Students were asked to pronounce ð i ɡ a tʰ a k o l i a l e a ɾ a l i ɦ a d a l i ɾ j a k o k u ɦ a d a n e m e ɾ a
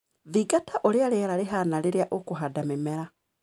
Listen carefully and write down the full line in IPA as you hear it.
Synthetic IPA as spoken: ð i ɡ a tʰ a ʔ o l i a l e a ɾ a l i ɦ a n a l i ɾ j a ʔ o k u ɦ a d a m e m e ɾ a

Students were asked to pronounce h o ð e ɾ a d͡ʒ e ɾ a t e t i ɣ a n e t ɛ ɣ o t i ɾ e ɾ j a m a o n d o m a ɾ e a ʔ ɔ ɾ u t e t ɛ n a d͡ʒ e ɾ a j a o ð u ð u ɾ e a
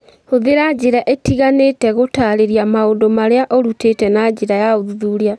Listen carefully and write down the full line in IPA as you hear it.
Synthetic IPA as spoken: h o ð e ɾ a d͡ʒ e ɾ a ʔ e t i ɣ a n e t ɛ ɣ o t a ɾ e ɾ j a m a o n d o m a ɾ e a ʔ ɔ ɾ u t e t ɛ n a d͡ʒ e ɾ a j a o ð u ð u ɾ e a

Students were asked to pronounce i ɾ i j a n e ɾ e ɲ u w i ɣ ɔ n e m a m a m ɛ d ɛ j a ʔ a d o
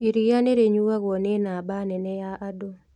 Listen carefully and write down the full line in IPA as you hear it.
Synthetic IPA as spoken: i ɾ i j a n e ɾ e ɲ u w a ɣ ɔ n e n a b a n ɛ n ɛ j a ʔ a d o

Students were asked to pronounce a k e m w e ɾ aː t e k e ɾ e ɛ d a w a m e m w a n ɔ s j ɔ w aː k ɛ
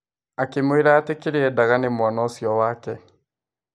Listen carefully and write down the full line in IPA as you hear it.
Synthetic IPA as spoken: a k e m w e ɾ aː t e k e ɾ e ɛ d a ɣ a n e m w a n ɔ s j ɔ w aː k ɛ

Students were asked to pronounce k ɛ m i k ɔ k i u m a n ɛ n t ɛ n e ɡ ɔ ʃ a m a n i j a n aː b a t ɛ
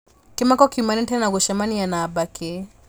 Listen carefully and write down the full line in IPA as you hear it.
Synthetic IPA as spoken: k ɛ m a k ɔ k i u m a n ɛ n t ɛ n a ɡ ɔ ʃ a m a n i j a n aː b a k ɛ

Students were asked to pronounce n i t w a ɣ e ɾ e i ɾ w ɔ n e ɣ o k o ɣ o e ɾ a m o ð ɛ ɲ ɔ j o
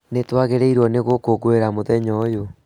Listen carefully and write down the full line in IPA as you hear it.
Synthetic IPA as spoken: n e t w a ɣ e ɾ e i ɾ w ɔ n e ɣ o k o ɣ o e ɾ a m o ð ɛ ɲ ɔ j o

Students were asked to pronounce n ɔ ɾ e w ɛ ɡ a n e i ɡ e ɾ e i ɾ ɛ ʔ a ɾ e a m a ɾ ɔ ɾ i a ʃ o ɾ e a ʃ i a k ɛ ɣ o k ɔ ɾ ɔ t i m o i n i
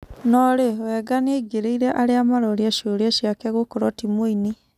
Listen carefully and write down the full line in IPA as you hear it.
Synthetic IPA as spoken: n ɔ ɾ e w ɛ ɡ a n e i ɡ e ɾ e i ɾ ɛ ʔ a ɾ e a m a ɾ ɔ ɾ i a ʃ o ɾ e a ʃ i a k ɛ ɣ o k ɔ ɾ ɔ t i m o i n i

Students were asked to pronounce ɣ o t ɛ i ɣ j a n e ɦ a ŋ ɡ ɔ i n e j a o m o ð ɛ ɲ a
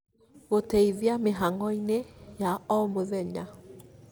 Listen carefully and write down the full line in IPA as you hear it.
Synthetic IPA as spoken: ɣ o t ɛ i ð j a m e ɦ a ŋ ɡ ɔ i n e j a ɔ m o ð ɛ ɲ a

